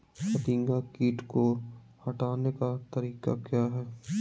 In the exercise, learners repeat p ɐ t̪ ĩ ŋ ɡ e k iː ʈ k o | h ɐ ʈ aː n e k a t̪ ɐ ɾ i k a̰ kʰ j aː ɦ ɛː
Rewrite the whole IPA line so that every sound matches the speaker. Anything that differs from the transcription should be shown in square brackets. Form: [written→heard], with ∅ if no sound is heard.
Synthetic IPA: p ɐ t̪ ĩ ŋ ɡ [e→a] k iː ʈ k o | h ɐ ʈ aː n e k a t̪ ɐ ɾ [i→iː] k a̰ [kʰ→k] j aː ɦ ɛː